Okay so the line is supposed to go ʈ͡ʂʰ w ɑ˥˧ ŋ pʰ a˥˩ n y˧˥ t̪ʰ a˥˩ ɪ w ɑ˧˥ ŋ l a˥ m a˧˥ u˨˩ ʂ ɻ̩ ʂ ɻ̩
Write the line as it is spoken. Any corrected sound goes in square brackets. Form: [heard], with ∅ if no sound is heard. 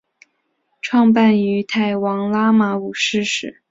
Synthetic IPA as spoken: ʈ͡ʂʰ w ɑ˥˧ ŋ [p] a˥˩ n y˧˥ t̪ʰ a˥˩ ɪ w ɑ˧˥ ŋ l a˥ m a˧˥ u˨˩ ʂ ɻ̩ ʂ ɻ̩